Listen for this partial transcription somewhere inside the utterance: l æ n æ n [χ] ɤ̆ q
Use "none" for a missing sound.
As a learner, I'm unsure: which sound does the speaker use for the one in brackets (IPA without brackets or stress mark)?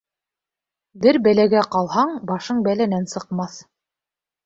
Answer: s